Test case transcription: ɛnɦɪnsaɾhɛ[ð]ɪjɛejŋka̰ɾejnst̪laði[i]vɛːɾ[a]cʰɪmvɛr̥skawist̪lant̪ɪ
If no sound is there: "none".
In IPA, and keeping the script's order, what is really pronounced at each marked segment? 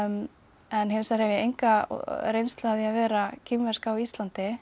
v, a, a

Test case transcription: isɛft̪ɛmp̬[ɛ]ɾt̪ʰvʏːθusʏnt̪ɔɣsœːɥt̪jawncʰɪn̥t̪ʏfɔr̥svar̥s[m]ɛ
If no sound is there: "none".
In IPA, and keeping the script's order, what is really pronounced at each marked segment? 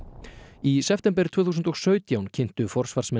ɛ, m

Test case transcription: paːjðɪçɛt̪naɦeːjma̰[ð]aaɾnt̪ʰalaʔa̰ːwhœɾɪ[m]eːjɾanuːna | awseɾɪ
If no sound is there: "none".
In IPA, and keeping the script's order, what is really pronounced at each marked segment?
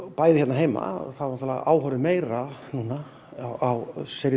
θ, m

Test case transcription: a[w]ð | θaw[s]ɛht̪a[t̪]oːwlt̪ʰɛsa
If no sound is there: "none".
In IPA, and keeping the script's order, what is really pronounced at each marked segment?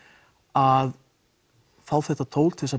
none, θ, t̪ʰ

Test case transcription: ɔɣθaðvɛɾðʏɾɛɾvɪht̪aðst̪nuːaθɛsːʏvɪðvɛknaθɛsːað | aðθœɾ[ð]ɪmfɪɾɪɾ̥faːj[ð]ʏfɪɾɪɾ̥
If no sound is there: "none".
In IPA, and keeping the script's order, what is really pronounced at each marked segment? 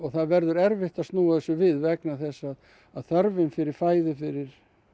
v, ð

